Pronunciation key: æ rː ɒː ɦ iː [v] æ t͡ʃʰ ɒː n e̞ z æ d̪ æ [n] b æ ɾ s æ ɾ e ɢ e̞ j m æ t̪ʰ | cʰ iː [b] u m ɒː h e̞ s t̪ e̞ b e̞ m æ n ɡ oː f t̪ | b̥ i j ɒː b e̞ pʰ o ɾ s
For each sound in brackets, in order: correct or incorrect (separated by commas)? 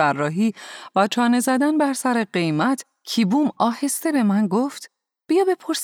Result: correct, correct, correct